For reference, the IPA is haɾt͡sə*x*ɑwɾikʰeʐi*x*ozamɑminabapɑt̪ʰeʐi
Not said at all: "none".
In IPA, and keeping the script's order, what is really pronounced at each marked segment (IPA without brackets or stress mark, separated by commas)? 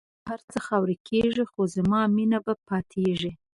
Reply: x, x